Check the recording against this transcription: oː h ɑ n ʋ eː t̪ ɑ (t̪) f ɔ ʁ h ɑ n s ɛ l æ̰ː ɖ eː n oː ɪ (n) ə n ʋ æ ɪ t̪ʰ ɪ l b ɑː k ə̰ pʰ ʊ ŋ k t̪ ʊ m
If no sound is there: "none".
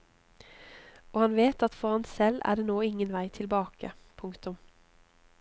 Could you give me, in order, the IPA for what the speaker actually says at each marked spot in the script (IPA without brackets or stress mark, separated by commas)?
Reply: t̪, ŋ